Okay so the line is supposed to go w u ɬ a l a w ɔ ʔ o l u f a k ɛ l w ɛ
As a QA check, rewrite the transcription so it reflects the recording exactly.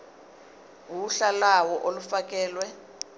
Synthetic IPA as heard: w u ɬ a l a w ɔ ʔ o l u f a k ɛː l w ɛ